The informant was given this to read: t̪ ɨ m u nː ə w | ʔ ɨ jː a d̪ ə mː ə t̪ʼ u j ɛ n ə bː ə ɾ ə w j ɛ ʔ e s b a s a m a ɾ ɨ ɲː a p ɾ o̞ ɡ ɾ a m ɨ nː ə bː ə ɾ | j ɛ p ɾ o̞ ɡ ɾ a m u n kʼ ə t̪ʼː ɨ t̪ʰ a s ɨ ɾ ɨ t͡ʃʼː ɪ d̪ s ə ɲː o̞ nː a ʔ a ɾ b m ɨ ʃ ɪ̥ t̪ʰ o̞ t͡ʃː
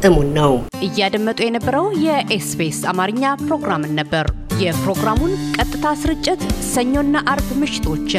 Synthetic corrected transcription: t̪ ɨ m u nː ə w | ʔ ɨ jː a d̪ ə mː ə t̪ʼ u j ɛ n ə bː ə ɾ ə w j ɛ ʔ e s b e s a m a ɾ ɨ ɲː a p ɾ o̞ ɡ ɾ a m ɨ nː ə bː ə ɾ | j ɛ p ɾ o̞ ɡ ɾ a m u n kʼ ə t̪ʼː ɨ t̪ʰ a s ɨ ɾ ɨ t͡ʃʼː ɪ t̪ s ə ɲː o̞ nː a ʔ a ɾ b m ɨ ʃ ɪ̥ t̪ʰ o̞ t͡ʃː